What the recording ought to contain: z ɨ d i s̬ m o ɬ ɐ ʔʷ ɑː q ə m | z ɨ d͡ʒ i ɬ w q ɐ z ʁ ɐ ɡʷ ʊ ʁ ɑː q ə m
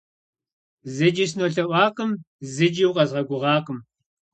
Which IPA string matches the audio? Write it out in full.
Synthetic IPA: z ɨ d͡ʒ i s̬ n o ɬ ɐ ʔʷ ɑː q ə m | z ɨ d͡ʒ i w q ɐ z ʁ ɐ ɡʷ ʊ ʁ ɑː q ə m